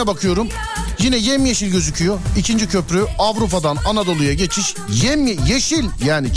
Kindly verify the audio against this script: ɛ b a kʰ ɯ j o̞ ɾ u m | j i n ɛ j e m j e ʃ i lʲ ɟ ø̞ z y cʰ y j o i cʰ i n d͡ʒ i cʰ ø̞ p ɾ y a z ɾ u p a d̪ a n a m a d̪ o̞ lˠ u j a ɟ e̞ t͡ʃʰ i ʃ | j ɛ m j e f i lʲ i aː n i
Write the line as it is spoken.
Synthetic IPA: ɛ b a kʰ ɯ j o̞ ɾ u m | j i n ɛ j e m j e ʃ i lʲ ɟ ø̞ z y cʰ y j o i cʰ i n d͡ʒ i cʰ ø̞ p ɾ y a v ɾ u p a d̪ a n a n a d̪ o̞ lˠ u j a ɟ e̞ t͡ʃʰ i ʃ | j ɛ m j e ʃ i lʲ j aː n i